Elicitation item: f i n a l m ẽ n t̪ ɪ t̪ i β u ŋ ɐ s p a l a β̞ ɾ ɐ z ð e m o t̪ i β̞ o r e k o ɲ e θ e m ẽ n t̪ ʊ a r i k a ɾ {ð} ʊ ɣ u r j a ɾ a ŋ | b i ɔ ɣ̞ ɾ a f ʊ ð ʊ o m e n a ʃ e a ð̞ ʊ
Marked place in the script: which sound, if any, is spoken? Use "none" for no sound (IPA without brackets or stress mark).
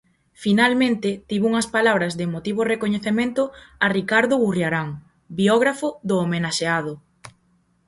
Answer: ð